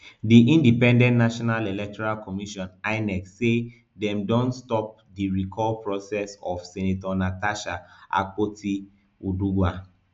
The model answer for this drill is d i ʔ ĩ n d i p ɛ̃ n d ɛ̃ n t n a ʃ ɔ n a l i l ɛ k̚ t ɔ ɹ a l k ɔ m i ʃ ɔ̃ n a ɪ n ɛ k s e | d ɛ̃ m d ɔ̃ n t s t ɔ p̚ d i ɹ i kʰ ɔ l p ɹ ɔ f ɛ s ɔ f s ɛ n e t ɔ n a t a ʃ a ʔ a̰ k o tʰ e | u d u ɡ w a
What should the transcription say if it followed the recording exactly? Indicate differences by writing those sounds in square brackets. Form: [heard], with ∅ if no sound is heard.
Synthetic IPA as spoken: d i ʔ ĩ n d i p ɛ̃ n d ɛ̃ n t n a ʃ ɔ n a l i l ɛ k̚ t ɔ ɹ a l k ɔ m i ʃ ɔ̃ n a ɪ n ɛ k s e | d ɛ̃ m d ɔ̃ n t s t ɔ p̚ d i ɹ i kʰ ɔ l p ɹ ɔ [s] ɛ s ɔ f s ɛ n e t ɔ n a t a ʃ a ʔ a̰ k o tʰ [i] | u d u ɡ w a